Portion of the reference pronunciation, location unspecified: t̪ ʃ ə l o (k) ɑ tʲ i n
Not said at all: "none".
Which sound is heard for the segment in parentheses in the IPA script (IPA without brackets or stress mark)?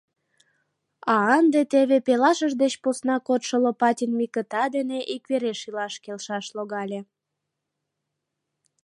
p